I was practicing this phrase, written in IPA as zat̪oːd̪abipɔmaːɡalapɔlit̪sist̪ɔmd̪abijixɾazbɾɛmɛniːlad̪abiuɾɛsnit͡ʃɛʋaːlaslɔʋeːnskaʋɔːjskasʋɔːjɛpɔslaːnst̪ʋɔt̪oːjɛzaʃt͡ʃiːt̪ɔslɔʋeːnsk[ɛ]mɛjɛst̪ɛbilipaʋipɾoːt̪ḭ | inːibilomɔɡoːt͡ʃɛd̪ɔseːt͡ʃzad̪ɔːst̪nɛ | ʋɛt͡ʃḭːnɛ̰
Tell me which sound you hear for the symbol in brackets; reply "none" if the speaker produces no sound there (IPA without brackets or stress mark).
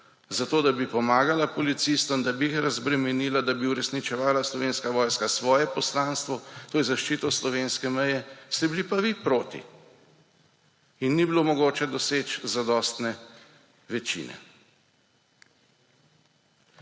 ɛ